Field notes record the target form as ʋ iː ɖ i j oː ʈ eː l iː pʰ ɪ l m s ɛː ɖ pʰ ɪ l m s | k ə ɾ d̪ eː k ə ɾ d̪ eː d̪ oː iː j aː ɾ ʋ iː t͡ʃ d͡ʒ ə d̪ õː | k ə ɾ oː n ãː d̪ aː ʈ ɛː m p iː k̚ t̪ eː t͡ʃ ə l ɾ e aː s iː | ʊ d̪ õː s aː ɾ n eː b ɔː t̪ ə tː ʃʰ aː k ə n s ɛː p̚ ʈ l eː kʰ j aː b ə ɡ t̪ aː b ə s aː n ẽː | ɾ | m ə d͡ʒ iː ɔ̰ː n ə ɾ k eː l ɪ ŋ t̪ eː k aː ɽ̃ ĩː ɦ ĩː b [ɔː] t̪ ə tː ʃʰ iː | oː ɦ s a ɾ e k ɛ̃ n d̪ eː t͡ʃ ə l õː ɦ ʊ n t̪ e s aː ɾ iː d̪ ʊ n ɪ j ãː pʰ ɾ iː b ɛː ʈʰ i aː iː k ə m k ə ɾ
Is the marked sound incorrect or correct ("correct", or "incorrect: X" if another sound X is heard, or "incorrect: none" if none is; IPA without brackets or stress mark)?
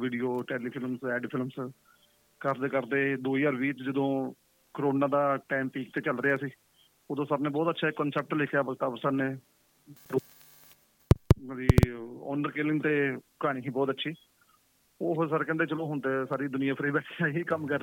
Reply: correct